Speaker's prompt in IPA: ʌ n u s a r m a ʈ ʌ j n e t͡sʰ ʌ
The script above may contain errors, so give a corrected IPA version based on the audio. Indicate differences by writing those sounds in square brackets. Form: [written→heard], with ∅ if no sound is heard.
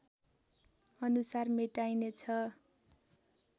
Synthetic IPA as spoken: ʌ n u s a r m [a→e] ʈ [ʌ→a] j n e t͡sʰ ʌ